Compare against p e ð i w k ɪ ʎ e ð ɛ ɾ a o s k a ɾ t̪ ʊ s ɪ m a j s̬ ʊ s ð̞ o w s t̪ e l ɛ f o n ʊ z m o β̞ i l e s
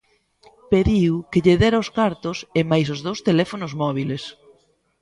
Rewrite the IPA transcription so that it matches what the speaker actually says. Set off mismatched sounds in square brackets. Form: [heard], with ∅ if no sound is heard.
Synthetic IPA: p e ð i w k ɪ ʎ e ð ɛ ɾ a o s k a ɾ t̪ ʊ s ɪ m a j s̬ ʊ [z] ð̞ o w s t̪ e l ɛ f o n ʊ z m [ɔ] β̞ i l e s